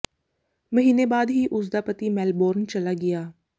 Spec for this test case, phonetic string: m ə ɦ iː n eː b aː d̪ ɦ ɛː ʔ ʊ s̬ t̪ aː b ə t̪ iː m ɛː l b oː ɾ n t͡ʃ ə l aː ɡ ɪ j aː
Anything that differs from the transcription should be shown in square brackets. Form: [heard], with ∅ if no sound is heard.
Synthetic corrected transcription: m ə ɦ iː n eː b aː d̪ ɦ [iː] ʔ ʊ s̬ [d̪] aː [p] ə t̪ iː m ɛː l b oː ɾ n t͡ʃ ə l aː ɡ ɪ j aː